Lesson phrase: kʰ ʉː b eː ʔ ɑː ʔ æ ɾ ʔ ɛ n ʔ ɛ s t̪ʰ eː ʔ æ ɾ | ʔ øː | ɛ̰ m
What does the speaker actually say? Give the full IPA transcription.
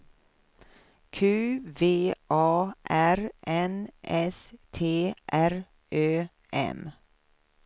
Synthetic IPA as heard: kʰ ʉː v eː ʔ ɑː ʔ æ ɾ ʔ ɛ n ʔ ɛ s t̪ʰ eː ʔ æ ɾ | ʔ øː | ɛ̰ m